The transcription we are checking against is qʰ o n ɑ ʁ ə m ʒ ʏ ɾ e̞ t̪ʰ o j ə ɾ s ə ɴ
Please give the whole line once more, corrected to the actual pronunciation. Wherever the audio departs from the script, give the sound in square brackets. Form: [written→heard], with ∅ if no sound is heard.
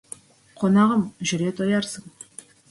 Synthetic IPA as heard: qʰ o n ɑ ʁ ə m ʒ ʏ ɾ e̞ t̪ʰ o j [ə→ɑ] ɾ s ə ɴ